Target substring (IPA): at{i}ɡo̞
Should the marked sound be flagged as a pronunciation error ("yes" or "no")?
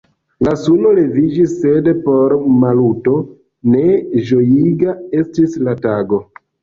yes